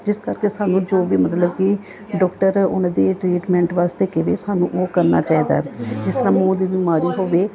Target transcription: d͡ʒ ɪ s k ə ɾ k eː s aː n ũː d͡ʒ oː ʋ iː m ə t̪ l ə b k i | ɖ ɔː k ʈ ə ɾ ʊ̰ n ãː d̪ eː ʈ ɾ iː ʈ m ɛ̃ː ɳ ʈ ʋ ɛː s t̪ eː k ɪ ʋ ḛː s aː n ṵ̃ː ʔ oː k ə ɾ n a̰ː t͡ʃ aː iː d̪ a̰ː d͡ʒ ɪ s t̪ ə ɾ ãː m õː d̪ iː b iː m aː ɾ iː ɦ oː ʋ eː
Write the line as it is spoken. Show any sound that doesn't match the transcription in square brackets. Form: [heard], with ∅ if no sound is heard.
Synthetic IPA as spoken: d͡ʒ ɪ s k ə ɾ k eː s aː n ũː d͡ʒ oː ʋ iː m ə t̪ l ə b k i | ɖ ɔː k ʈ ə ɾ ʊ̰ n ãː d̪ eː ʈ ɾ iː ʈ m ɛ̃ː ɳ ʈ ʋ [aː] s t̪ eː k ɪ ʋ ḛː s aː n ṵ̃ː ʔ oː k ə ɾ n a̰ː t͡ʃ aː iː d̪ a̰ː d͡ʒ ɪ s t̪ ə ɾ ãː m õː d̪ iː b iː m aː ɾ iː ɦ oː ʋ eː